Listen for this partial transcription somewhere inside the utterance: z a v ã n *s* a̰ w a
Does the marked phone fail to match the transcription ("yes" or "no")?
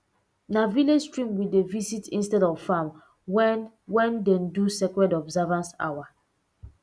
no